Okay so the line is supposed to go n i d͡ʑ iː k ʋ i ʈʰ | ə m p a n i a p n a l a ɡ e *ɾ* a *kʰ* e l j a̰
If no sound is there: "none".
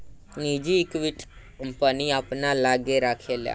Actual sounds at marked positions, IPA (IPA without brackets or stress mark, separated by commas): ɾ, kʰ